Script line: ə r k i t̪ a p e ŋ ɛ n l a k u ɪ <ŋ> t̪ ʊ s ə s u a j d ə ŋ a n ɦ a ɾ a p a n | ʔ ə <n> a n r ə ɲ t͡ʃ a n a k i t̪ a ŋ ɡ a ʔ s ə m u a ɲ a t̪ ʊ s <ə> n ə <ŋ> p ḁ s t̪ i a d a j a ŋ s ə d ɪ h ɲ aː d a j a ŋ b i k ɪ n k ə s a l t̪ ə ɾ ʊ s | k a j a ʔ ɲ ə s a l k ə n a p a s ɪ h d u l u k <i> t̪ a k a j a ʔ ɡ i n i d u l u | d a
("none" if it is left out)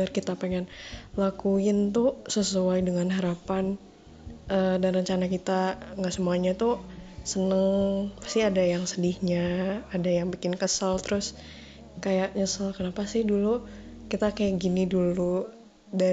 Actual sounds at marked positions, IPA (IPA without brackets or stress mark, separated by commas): n, d, ə, ŋ, i